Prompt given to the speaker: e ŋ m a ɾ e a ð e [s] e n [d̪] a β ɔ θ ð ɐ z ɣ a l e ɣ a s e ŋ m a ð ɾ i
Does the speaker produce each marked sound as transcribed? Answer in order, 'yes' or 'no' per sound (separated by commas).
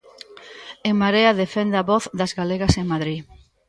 no, yes